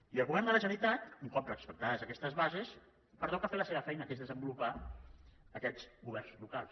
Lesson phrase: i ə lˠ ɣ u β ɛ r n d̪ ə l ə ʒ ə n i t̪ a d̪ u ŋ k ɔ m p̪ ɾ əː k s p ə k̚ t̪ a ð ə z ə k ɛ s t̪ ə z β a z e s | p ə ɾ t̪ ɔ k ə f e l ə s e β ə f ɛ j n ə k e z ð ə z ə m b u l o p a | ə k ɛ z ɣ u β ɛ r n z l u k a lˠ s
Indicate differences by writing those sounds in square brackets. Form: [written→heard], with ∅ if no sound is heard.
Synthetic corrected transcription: i ə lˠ ɣ u β ɛ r n d̪ ə l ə ʒ ə n i t̪ a [d̪→t̪] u ŋ k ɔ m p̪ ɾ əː k s p ə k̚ t̪ a ð ə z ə k ɛ s t̪ ə z β a z e s | p ə ɾ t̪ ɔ k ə f e l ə s e β ə f ɛ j n ə k e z ð ə z ə m b u l [o→u] p a | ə k ɛ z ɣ u β ɛ r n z l u k a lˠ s